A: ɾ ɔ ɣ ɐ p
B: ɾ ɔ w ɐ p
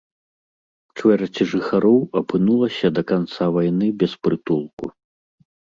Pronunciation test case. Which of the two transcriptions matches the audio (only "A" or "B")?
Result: B